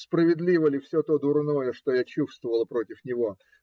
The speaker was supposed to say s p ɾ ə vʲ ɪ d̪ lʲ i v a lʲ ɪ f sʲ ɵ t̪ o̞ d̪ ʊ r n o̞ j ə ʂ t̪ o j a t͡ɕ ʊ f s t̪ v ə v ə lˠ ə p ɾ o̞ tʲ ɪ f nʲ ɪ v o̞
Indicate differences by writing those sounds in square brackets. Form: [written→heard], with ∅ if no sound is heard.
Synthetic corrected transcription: s p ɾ ə vʲ ɪ d̪ lʲ i v [a→ə] lʲ ɪ f sʲ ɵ t̪ o̞ d̪ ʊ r n o̞ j ə ʂ t̪ o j a t͡ɕ [ʊ→u] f s t̪ v ə v ə lˠ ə p ɾ o̞ tʲ ɪ f nʲ ɪ v o̞